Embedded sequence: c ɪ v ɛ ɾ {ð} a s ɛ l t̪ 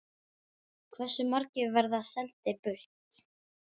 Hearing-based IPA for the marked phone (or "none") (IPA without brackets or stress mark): ð